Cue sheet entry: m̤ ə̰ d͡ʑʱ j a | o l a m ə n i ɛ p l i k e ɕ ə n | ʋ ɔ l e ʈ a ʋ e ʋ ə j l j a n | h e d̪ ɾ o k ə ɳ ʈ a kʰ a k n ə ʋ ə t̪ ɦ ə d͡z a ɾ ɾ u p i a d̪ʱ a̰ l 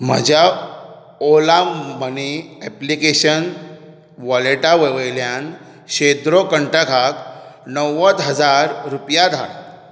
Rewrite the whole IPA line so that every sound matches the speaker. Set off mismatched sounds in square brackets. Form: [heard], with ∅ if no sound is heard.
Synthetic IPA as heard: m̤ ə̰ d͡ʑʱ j a | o l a m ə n i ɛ p l i k e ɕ ə n | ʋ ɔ l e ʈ a ʋ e ʋ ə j l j a n | [ɕ] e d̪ ɾ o k ə ɳ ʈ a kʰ a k n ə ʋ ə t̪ ɦ ə d͡z a ɾ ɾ u p [j] a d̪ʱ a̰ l

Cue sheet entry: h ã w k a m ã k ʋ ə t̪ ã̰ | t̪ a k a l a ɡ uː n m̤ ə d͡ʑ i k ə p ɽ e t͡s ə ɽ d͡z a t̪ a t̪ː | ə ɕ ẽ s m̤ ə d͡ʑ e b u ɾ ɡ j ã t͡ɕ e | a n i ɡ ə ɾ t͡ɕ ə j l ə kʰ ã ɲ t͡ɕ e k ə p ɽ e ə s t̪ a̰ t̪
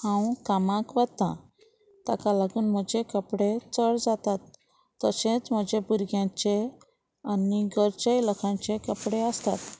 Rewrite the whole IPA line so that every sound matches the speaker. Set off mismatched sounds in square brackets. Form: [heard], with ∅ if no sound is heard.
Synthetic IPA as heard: h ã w k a m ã k ʋ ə t̪ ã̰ | t̪ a k a l a ɡ uː n m̤ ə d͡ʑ [e] k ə p ɽ e t͡s ə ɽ d͡z a t̪ a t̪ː | ə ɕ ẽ [t͡s] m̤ ə d͡ʑ e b u ɾ ɡ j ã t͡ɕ e | a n i ɡ ə ɾ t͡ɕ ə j l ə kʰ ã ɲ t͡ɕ e k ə p ɽ e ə s t̪ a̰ t̪

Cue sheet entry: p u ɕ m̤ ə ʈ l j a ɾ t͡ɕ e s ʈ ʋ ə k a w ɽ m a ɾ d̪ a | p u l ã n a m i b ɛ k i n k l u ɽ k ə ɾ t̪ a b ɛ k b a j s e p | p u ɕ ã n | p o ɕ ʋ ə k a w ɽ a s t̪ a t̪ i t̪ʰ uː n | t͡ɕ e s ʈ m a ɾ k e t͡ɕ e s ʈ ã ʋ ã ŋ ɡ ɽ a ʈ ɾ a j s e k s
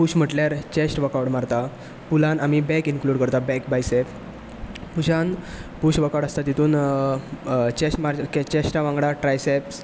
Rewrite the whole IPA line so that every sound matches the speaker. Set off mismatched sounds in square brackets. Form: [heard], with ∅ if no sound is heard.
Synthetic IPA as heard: p u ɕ m̤ ə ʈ l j a ɾ t͡ɕ e s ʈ ʋ ə k a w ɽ m a ɾ [t̪] a | p u l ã n a m i b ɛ k i n k l u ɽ k ə ɾ t̪ a b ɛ k b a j s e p | p u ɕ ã n | p [u] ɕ ʋ ə k a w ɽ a s t̪ a t̪ i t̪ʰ uː n | t͡ɕ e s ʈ m a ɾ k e t͡ɕ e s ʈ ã ʋ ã ŋ ɡ ɽ a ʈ ɾ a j s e [p] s

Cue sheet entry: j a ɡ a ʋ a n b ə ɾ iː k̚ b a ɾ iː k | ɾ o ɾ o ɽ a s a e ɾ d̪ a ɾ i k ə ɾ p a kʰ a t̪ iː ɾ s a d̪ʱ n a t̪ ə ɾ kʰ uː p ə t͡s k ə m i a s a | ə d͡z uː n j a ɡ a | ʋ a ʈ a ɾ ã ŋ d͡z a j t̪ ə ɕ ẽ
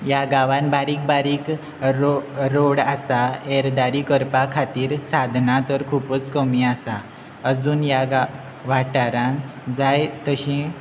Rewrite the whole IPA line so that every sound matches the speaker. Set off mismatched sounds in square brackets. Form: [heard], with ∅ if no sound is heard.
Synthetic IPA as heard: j a ɡ a ʋ a n b [a] ɾ iː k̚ b a ɾ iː k | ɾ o ɾ o ɽ a s a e ɾ d̪ a ɾ i k ə ɾ p a kʰ a t̪ iː ɾ s a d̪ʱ n a t̪ ə ɾ kʰ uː p ə t͡s k ə m i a s a | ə d͡z uː n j a ɡ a | ʋ a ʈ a ɾ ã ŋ d͡z a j t̪ ə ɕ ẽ

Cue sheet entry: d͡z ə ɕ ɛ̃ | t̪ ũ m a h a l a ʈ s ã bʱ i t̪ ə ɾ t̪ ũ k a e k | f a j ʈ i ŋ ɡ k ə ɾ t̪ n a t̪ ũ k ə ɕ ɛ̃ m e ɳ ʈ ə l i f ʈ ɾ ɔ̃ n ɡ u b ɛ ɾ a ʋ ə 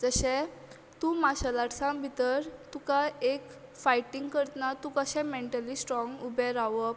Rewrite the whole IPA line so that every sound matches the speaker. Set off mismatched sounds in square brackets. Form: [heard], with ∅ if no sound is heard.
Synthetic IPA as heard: d͡z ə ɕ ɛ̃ | t̪ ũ m a [ɕ] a l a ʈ s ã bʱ i t̪ ə ɾ t̪ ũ k a e k | f a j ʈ i ŋ ɡ k ə ɾ t̪ n a t̪ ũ k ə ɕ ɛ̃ m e ɳ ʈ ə l i [s] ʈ ɾ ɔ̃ [ŋ] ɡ u b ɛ ɾ a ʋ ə

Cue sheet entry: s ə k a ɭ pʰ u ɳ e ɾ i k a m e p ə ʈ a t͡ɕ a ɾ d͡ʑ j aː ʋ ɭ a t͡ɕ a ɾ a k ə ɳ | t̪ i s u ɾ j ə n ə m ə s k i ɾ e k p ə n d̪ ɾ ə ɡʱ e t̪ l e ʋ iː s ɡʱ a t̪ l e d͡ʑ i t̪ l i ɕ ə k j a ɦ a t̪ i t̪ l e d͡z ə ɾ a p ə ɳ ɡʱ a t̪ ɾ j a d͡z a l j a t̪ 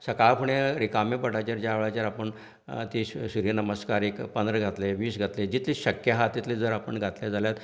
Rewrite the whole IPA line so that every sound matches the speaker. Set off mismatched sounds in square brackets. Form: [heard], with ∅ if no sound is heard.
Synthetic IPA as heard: s ə k a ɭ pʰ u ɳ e ɾ i k a m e p ə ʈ a t͡ɕ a ɾ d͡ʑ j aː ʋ ɭ a t͡ɕ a ɾ a [p] ə ɳ | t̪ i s u ɾ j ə n ə m ə s k [a] ɾ e k p ə n d̪ ɾ ə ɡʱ [a] t̪ l e ʋ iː s ɡʱ a t̪ l e d͡ʑ i t̪ l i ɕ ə k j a ɦ a t̪ i t̪ l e d͡z ə ɾ a p ə ɳ ɡʱ a t̪ [l] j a d͡z a l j a t̪

